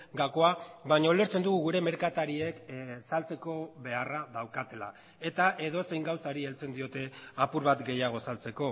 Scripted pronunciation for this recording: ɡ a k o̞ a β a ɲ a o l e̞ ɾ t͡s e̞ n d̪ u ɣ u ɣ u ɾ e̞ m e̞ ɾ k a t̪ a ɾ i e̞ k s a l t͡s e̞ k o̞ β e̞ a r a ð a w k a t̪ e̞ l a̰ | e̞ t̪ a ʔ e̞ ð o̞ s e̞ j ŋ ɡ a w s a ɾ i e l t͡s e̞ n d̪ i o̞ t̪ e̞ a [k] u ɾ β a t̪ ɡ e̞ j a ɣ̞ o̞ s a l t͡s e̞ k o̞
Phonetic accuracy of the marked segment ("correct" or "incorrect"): incorrect